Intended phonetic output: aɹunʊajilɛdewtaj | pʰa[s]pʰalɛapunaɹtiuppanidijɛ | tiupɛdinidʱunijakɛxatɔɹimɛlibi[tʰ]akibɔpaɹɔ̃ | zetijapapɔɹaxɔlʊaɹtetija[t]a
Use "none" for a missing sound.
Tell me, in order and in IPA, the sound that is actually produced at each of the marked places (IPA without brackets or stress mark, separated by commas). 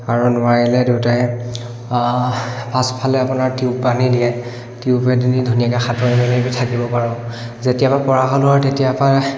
s, tʰ, p